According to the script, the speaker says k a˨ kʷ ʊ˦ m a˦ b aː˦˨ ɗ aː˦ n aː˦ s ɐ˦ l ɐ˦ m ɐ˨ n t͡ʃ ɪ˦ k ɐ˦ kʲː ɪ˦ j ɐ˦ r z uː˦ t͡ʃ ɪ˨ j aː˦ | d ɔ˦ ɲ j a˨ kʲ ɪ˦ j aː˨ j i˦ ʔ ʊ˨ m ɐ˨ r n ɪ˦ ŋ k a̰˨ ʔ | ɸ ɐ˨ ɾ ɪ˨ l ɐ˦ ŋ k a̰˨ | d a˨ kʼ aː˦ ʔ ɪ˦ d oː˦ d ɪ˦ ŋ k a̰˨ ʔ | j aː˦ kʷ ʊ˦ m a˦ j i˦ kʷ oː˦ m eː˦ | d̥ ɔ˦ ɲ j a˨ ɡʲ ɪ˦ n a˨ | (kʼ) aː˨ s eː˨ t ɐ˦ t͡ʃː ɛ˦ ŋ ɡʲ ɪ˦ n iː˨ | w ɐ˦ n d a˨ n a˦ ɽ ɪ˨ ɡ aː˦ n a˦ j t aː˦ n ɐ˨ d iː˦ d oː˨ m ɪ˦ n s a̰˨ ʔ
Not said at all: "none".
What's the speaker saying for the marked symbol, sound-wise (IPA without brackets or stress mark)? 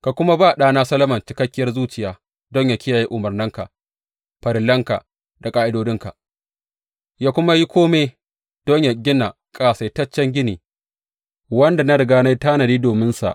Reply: kʼ